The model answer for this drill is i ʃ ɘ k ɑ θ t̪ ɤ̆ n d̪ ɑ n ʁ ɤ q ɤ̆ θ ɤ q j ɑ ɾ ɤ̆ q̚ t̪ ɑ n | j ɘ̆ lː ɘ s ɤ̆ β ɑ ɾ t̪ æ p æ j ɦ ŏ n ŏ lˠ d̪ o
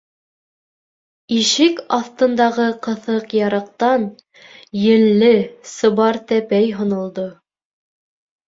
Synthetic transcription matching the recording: i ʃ ɘ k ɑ θ t̪ ɤ̆ n d̪ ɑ ʁ ɤ q ɤ̆ θ ɤ q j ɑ ɾ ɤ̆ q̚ t̪ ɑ n | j ɘ̆ lː ɘ s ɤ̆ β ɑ ɾ t̪ æ p æ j ɦ ŏ n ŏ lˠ d̪ o

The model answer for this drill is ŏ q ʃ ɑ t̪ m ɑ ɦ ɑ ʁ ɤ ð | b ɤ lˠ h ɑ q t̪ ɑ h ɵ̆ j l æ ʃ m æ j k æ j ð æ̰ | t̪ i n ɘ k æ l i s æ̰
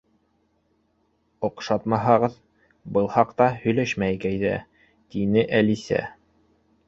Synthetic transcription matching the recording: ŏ q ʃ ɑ t̪ m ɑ ɦ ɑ ʁ ɤ ð | b ɤ lˠ h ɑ q t̪ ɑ h ɵ̆ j l æ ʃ m æ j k æ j ð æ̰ | t̪ i n ɘ ʔ æ l i s æ̰

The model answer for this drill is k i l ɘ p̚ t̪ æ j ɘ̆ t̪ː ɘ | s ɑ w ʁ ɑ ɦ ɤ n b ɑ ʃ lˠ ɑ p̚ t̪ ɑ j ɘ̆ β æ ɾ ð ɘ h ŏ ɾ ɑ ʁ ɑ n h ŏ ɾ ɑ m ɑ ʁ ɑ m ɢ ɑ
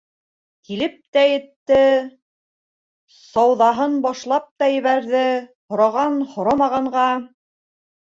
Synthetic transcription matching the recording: k i l ɘ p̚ t̪ æ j ɘ̆ t̪ː ɘ | s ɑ w ð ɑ ɦ ɤ n b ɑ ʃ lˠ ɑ p̚ t̪ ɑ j ɘ̆ β æ ɾ ð ɘ h ŏ ɾ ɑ ʁ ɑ n h ŏ ɾ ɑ m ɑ ʁ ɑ ɴ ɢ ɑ

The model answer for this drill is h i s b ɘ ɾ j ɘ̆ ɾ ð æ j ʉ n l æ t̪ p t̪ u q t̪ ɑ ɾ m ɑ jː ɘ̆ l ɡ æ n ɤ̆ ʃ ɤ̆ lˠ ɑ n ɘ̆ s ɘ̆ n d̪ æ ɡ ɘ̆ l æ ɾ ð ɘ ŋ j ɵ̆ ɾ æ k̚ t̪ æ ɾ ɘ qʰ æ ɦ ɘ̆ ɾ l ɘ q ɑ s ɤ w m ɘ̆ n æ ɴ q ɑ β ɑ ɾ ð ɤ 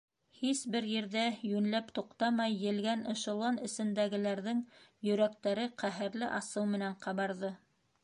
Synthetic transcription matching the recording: h i s b ɘ ɾ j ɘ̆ ɾ ð æ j ʉ n l æ p t̪ u q t̪ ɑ m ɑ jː ɘ̆ l ɡ æ n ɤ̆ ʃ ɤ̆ lˠ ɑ n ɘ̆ s ɘ̆ n d̪ æ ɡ ɘ̆ l æ ɾ ð ɘ ŋ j ɵ̆ ɾ æ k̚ t̪ æ ɾ ɘ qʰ æ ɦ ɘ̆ ɾ l ɘ ʔ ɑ s ɤ w m ɘ̆ n æ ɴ q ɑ β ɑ ɾ ð ɤ

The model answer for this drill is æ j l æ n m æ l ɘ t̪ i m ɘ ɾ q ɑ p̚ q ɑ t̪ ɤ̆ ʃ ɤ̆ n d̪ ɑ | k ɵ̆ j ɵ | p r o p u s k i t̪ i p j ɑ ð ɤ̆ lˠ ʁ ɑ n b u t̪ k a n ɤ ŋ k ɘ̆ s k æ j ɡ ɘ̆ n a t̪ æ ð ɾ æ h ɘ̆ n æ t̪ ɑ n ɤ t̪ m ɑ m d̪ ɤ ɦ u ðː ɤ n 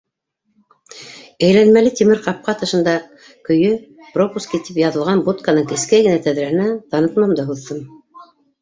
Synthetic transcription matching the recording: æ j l æ n m æ l ɘ t̪ i m ɘ ɾ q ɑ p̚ q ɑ t̪ ɤ̆ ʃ ɤ̆ n d̪ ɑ | k ɵ̆ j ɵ | p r o p u s k i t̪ i p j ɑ ð ɤ̆ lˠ ʁ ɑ n b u t̪ k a n ɤ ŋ k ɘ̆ s k æ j ɡ ɘ̆ n æ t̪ æ ð ɾ æ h ɘ̆ n æ t̪ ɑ n ɤ t̪ m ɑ m d̪ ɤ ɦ u ðː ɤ m

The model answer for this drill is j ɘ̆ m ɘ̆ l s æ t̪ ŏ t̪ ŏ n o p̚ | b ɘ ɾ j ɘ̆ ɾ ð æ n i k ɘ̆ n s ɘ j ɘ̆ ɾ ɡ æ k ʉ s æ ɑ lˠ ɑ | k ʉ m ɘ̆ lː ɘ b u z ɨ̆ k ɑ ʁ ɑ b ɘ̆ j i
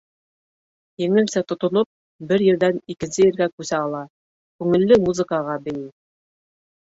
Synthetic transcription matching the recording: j ɘ̆ ŋ ɘ̆ l s æ t̪ ŏ t̪ ŏ n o p̚ | b ɘ ɾ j ɘ̆ ɾ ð æ n i k ɘ̆ n s ɘ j ɘ̆ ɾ ɡ æ k ʉ s æ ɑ lˠ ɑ | k ʉ ŋ ɘ̆ lː ɘ m u z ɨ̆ k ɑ ʁ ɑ b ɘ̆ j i

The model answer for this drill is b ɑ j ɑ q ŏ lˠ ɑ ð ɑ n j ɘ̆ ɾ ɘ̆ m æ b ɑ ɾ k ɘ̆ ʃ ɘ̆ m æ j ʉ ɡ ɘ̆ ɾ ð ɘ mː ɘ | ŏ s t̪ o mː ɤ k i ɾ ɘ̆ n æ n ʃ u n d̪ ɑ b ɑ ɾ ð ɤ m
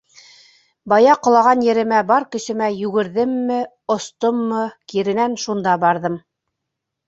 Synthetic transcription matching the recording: b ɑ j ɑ q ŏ lˠ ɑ ʁ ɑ n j ɘ̆ ɾ ɘ̆ m æ b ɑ ɾ k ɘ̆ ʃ ɘ̆ m æ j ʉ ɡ ɘ̆ ɾ ð ɘ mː ɘ | ŏ s t̪ o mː ɤ k i ɾ ɘ̆ n æ n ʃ u n d̪ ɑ b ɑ ɾ ð ɤ m

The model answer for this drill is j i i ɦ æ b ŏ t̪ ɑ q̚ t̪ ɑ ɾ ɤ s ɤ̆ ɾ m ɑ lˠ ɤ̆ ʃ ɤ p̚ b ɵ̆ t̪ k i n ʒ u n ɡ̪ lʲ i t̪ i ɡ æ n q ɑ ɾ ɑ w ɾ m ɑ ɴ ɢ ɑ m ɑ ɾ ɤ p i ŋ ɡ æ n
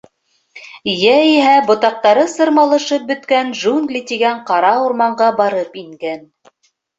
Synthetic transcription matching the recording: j æ i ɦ æ b ŏ t̪ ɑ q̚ t̪ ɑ ɾ ɤ s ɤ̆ ɾ m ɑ lˠ ɤ̆ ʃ ɤ p̚ b ɵ̆ t̪ k æ n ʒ u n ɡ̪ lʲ i t̪ i ɡ æ ɴ q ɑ ɾ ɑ u ɾ m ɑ ɴ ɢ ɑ b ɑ ɾ ɤ p i ŋ ɡ æ n

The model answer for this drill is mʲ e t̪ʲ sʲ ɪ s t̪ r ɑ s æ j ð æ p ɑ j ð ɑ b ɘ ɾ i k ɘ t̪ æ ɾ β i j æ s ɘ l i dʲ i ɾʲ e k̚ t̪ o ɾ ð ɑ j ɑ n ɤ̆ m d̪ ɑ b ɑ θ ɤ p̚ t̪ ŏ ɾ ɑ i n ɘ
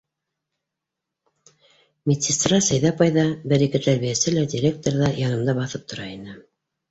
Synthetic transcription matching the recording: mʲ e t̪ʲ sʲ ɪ s t̪ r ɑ s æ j ð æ p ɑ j ð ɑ b ɘ ɾ i k ɘ t̪ æ ɾ β i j æ s ɘ l æ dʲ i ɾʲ e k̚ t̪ o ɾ ð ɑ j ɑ n ɤ̆ m d̪ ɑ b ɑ θ ɤ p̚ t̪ ŏ ɾ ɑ i n ɘ

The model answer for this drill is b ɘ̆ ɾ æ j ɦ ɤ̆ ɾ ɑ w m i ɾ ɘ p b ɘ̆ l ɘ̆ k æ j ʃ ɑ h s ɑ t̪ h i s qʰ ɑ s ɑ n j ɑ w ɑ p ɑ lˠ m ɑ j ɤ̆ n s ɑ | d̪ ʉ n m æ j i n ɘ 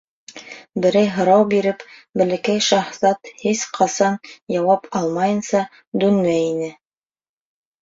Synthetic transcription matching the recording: b ɘ̆ ɾ æ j ɦ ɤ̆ ɾ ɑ w b i ɾ ɘ p b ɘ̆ l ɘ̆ k æ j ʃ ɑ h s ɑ t̪ h i s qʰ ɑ s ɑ n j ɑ w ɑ p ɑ lˠ m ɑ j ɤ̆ n s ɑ | d̪ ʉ n m æ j i n ɘ

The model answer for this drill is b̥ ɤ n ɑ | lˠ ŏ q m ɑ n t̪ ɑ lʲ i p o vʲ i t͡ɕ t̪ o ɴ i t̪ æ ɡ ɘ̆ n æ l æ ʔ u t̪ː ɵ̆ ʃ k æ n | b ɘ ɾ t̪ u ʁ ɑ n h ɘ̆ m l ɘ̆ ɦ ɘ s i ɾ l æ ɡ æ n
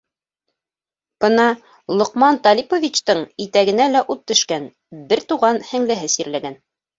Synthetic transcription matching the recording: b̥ ɤ n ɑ | lˠ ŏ q m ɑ n t̪ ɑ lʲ i p o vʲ i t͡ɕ t̪ ɤ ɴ i t̪ æ ɡ ɘ̆ n æ l æ ʔ u t̪ː ɵ̆ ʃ k æ n | b ɘ ɾ t̪ u ʁ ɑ n h ɘ̆ ŋ l ɘ̆ ɦ ɘ s i ɾ l æ ɡ æ n

